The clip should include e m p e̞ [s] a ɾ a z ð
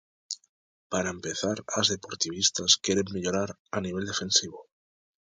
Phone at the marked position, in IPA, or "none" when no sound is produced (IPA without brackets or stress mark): θ